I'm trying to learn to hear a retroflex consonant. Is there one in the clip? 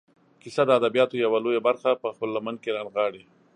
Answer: yes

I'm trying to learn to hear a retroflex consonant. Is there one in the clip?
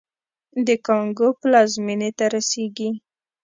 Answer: no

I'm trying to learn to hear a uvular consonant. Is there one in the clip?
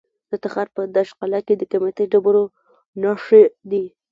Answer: yes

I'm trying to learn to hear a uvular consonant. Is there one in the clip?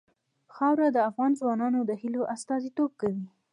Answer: no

